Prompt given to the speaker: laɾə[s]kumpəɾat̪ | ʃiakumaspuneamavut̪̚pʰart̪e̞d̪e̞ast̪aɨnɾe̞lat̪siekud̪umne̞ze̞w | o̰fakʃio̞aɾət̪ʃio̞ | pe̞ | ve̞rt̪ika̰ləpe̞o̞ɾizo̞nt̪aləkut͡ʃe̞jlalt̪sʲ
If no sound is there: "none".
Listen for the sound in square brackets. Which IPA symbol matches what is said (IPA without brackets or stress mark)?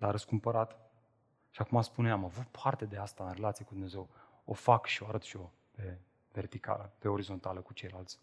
s